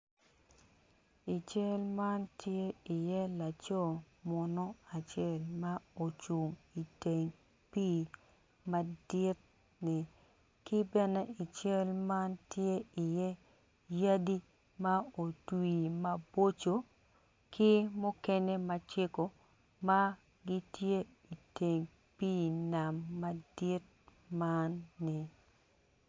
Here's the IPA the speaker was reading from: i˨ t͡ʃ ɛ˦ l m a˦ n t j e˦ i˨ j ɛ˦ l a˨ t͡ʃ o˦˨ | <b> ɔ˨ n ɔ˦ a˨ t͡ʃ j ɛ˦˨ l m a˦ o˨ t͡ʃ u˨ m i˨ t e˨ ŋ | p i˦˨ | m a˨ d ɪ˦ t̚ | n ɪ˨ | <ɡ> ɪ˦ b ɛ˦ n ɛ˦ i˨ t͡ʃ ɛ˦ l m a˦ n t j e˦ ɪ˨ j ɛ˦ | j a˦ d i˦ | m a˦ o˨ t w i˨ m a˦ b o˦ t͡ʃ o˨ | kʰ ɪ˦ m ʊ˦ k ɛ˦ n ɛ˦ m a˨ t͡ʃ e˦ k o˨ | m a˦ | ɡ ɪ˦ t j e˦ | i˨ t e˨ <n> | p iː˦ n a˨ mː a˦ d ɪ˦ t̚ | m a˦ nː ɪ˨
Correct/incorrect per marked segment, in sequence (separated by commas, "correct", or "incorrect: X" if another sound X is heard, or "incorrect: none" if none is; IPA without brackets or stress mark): incorrect: m, incorrect: k, incorrect: ŋ